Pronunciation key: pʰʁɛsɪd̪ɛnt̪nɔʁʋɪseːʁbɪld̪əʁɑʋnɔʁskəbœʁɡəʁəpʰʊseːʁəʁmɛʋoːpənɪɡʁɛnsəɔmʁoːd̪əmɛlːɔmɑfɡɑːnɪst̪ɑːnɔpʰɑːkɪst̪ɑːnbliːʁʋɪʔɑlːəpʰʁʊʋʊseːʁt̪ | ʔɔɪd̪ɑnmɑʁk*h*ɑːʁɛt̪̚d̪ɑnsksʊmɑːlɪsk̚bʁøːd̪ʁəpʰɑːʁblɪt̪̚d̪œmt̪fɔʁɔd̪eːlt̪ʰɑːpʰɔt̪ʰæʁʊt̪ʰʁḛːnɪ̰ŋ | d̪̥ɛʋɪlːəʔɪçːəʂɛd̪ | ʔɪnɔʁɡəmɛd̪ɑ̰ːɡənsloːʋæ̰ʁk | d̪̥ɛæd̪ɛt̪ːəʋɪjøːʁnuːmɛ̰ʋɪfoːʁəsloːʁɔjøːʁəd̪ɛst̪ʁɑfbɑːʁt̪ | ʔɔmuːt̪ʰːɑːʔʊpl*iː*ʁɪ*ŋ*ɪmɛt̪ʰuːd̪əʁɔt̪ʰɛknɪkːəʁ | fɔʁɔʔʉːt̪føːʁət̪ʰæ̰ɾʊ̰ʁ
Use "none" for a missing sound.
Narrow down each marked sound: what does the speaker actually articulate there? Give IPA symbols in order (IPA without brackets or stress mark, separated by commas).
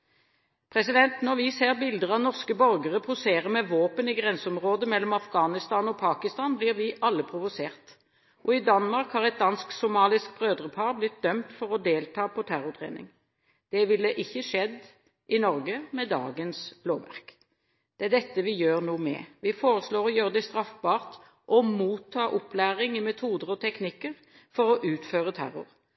h, æː, ŋ